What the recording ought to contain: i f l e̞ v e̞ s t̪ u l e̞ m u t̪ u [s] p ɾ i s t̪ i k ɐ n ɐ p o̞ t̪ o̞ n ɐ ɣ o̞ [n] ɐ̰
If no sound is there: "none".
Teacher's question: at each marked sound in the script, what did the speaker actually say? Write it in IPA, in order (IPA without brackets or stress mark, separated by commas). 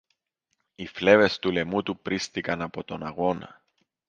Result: none, n